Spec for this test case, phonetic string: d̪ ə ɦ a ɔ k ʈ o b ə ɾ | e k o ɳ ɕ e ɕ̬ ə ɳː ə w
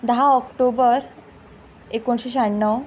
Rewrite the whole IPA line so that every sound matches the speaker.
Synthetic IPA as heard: d̪ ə ɦ a ɔ k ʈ o b ə ɾ | e k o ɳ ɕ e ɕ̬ a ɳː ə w